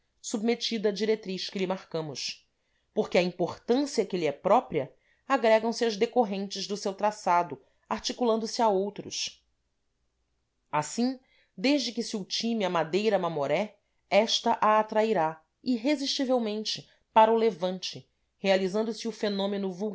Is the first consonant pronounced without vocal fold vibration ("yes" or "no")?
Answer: yes